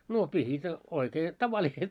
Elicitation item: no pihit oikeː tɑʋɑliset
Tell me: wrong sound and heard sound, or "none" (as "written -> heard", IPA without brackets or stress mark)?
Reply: none